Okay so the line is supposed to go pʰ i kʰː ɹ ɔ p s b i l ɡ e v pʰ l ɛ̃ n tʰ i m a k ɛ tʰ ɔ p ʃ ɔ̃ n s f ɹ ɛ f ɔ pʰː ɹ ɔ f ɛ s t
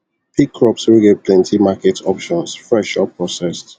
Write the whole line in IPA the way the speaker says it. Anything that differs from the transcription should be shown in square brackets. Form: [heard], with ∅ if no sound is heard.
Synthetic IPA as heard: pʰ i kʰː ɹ ɔ p s [w] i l ɡ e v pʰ l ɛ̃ n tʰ i m a k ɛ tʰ ɔ p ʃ ɔ̃ n s f ɹ ɛ [ʃ] ɔ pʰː ɹ ɔ [s] ɛ s t